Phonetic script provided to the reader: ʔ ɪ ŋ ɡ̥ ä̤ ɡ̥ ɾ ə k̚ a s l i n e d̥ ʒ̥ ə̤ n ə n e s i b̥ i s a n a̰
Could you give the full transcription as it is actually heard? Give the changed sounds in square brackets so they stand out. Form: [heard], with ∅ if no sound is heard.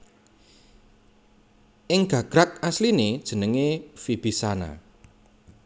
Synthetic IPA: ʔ ɪ ŋ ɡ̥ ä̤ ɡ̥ ɾ [a] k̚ a s l i n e d̥ ʒ̥ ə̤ n ə [ŋ] e [f] i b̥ i s a n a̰

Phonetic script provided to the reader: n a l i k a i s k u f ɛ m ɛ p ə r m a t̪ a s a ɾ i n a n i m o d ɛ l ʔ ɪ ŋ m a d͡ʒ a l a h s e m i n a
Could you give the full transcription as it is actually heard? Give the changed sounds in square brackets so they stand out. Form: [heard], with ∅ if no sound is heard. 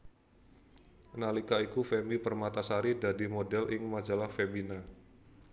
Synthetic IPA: n a l i k a i [∅] k u f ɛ m [i] p ə r m a t̪ a s a ɾ i [d] a [d] i m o d ɛ l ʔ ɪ ŋ m a d͡ʒ a l a h [f] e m i n a

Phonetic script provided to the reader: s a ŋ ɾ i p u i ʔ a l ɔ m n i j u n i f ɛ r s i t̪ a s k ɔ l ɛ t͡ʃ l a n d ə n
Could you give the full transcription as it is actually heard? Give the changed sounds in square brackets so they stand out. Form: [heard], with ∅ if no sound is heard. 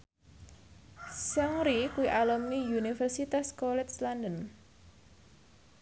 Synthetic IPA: s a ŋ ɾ i [k] u i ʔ a l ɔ m n i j u n i f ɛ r s i t̪ a s k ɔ l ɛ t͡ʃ l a n d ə n

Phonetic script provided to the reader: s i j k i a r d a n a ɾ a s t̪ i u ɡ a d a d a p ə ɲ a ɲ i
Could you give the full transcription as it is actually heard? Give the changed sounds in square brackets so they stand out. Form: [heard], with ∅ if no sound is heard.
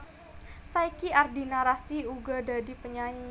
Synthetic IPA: s [a] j k i a r d [i] n a ɾ a s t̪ i u ɡ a d a d [i] p ə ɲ a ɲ i

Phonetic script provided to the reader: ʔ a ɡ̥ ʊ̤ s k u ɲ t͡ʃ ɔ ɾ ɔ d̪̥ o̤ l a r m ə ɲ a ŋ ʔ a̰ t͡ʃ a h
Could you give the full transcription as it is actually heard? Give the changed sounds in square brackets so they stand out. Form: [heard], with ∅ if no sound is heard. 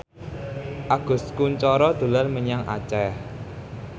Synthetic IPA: ʔ a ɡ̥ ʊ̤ s k u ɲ t͡ʃ ɔ ɾ ɔ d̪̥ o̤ l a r m ə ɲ a ŋ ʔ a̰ t͡ʃ [ɛ] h

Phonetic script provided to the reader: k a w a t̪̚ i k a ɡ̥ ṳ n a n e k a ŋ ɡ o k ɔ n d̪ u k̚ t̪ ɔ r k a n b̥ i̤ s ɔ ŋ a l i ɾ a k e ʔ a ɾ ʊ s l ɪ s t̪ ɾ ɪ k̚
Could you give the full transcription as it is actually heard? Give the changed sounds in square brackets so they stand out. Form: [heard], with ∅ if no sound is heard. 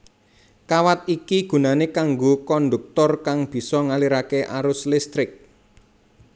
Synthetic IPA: k a w a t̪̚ i k [i] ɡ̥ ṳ n a n e k a ŋ ɡ o k ɔ n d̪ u k̚ t̪ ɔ r k a [ŋ] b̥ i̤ s ɔ ŋ a l i ɾ a k e ʔ a ɾ ʊ s l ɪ s t̪ ɾ ɪ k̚

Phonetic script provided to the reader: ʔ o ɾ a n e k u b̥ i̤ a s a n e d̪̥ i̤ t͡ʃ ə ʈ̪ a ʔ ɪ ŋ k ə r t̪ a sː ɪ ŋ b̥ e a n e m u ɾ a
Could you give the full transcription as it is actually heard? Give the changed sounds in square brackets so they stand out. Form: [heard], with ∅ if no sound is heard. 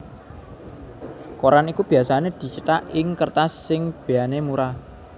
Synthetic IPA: [k] o ɾ a n [i] k u b̥ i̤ a s a n e d̪̥ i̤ t͡ʃ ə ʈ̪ a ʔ ɪ ŋ k ə r t̪ a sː ɪ ŋ b̥ e a n e m u ɾ a

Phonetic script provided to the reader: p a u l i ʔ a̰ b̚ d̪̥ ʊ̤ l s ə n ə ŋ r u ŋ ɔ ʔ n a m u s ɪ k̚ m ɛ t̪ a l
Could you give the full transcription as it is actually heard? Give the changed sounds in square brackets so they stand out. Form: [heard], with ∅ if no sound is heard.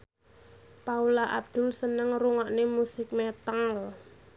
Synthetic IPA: p a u l [a] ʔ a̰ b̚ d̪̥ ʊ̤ l s ə n ə ŋ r u ŋ ɔ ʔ n [e] m u s ɪ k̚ m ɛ t̪ a l

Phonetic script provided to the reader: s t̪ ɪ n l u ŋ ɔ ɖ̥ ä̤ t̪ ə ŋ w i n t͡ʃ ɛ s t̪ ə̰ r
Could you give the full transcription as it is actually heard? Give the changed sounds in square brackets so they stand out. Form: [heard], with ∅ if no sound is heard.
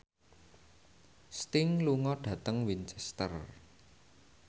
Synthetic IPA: s t̪ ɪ [ŋ] l u ŋ ɔ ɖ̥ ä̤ t̪ ə ŋ w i n t͡ʃ ɛ s t̪ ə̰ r

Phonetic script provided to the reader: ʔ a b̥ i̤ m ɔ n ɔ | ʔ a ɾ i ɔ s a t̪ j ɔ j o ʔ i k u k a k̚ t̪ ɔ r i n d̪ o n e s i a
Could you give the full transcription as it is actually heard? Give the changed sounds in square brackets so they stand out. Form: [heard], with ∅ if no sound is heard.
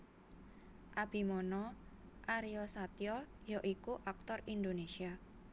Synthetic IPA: ʔ a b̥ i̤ m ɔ n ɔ | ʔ a ɾ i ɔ s a t̪ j ɔ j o ʔ i k u [ʔ] a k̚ t̪ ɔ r i n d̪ o n e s i a

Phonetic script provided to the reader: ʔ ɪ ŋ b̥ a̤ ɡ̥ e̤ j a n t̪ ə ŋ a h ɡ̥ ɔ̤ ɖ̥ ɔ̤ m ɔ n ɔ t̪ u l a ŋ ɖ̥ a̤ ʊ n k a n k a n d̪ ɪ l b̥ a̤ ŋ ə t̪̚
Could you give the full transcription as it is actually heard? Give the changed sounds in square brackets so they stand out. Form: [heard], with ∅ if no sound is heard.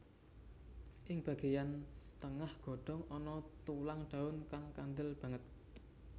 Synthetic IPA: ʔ ɪ ŋ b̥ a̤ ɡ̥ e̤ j a n t̪ ə ŋ a h ɡ̥ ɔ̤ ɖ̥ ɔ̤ [ŋ] ɔ n ɔ t̪ u l a ŋ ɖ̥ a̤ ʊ n k a [ŋ] k a n d̪ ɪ l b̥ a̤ ŋ ə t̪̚

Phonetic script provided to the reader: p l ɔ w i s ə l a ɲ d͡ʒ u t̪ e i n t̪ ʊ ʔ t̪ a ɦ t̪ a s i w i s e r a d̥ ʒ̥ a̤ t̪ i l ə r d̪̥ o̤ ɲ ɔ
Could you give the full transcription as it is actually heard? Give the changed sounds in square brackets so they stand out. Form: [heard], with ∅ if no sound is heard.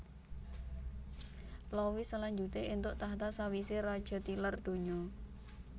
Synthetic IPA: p l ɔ w i s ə l a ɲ d͡ʒ u t̪ e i n t̪ ʊ ʔ t̪ a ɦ t̪ a s [a] w i s e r a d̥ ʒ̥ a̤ t̪ i l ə r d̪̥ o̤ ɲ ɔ

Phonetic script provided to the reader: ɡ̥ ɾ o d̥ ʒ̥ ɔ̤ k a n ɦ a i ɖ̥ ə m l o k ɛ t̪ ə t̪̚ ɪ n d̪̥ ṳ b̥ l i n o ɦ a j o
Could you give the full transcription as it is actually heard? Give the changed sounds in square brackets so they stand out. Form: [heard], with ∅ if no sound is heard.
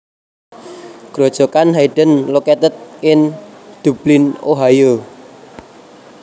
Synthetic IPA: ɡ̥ ɾ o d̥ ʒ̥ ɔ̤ k a n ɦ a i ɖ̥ ə [n] l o k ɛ t̪ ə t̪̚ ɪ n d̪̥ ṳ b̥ l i n o ɦ a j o

